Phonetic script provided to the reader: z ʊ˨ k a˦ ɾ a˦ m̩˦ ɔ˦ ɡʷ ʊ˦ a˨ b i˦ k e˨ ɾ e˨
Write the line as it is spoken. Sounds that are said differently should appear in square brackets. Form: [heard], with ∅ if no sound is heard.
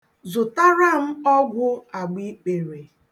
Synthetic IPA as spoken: z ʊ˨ [t] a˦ ɾ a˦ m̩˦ ɔ˦ ɡʷ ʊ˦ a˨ [ɡ͡b] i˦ [k͡p] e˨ ɾ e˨